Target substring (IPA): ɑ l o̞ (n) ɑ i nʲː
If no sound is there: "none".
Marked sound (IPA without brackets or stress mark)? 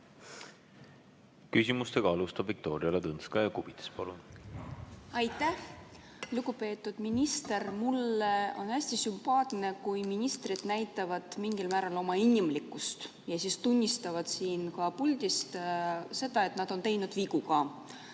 m